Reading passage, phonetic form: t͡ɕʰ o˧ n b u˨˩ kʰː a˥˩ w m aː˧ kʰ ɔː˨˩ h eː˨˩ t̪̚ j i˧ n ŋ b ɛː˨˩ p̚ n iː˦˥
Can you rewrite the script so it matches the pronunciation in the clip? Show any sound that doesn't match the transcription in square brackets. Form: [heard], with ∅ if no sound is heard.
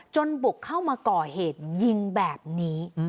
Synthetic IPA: [t͡ɕ] o˧ n b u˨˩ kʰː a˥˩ w m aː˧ [k] ɔː˨˩ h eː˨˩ t̪̚ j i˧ [∅] ŋ b ɛː˨˩ p̚ n iː˦˥